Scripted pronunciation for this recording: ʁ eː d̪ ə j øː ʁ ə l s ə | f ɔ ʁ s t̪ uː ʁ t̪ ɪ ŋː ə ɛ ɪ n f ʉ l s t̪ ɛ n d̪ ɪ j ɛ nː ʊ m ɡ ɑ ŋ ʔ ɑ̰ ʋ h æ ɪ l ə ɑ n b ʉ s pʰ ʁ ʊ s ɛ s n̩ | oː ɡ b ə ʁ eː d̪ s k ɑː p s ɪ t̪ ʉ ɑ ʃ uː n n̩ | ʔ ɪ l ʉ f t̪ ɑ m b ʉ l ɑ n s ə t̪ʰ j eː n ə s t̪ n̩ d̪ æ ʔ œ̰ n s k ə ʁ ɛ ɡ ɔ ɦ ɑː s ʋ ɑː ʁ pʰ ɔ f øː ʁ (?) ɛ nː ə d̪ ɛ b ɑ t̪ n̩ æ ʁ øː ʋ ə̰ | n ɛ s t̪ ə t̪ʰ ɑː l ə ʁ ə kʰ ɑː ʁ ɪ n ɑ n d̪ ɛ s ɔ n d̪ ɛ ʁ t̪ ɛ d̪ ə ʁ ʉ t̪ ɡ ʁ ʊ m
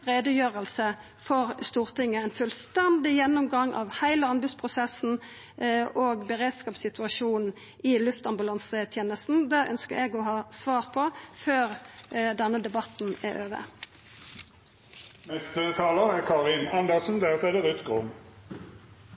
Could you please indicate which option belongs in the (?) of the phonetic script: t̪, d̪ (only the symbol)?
d̪